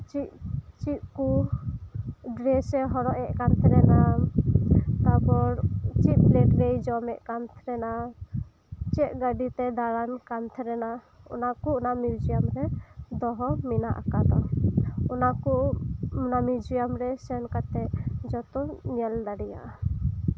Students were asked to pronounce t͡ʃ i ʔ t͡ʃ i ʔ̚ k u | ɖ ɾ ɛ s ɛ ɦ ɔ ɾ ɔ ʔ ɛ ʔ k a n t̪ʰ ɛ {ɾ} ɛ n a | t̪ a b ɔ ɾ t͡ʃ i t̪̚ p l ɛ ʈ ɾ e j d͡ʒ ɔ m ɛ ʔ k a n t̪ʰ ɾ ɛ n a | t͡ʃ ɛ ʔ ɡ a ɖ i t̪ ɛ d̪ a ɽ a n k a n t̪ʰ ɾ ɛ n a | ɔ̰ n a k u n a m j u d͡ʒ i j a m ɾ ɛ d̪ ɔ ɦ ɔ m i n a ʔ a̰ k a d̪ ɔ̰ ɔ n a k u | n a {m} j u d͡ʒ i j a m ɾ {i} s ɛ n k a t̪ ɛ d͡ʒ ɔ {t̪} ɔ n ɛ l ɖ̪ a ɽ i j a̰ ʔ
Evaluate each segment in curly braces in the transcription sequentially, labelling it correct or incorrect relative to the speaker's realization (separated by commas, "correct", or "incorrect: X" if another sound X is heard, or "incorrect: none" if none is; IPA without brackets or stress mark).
correct, correct, incorrect: ɛ, correct